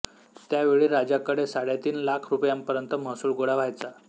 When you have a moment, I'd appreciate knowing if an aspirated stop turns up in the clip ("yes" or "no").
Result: yes